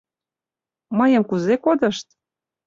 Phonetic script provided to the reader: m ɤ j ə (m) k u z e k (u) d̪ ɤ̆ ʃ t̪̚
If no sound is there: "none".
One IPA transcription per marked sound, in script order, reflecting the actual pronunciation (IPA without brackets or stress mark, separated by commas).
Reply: m, o